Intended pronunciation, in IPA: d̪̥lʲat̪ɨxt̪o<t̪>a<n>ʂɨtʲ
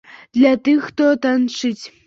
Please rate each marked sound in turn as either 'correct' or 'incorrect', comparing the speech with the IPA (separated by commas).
correct, correct